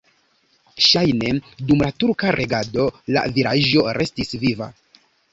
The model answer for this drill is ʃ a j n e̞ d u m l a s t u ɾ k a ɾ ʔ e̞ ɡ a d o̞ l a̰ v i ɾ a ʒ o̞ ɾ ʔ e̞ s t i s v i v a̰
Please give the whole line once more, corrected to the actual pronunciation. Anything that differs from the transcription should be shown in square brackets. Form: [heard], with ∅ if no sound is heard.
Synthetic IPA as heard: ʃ a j n e̞ d u m l a [∅] t u ɾ k a ɾ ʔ e̞ ɡ a d o̞ l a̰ v i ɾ a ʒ o̞ ɾ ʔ e̞ s t i s v i v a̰